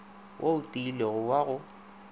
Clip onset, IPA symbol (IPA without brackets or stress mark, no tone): w